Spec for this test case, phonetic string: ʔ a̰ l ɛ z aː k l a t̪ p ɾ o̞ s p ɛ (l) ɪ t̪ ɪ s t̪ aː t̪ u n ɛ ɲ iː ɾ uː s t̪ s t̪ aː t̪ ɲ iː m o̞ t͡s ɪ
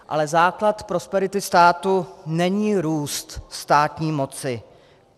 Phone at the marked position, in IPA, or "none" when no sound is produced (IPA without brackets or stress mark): ɾ